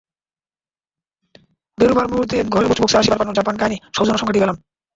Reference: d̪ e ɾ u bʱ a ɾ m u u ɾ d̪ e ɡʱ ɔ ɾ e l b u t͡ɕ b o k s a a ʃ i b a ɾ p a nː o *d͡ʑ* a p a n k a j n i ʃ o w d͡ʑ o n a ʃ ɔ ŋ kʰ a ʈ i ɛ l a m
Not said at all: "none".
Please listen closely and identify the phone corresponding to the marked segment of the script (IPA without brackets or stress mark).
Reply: d͡ʑ